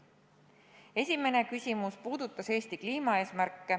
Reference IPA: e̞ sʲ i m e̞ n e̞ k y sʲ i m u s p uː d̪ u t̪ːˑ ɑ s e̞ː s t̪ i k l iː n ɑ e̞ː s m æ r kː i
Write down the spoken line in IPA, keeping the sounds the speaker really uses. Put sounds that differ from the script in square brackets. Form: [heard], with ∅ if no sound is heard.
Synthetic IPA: e̞ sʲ i m e̞ n e̞ k y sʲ i m u s p uː d̪ u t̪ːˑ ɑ s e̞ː s t̪ i k l iː [m] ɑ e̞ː s m æ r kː [e]